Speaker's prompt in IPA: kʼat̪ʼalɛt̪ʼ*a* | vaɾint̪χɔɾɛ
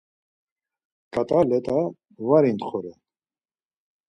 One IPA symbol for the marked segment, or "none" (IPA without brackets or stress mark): a